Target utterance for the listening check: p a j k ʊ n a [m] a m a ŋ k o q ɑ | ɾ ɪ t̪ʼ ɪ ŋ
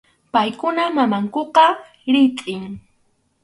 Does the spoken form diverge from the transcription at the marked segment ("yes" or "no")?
no